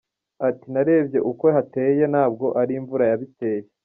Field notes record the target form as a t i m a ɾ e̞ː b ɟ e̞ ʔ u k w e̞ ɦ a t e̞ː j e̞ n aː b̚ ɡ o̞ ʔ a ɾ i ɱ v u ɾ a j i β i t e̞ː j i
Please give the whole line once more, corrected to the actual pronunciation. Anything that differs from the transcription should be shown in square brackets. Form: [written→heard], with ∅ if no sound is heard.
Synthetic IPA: a t i [m→n] a ɾ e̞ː b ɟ e̞ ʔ u k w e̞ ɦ a t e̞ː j e̞ n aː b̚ ɡ o̞ ʔ a ɾ i ɱ v u ɾ a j [i→a] β i t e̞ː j [i→e]